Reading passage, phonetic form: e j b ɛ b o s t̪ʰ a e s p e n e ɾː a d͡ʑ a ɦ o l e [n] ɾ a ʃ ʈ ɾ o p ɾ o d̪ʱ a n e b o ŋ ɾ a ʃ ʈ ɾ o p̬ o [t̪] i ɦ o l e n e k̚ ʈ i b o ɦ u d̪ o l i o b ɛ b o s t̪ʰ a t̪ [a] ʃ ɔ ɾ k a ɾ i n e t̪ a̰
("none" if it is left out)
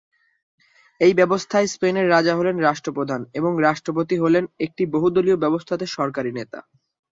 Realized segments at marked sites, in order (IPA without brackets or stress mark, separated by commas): n, t̪, e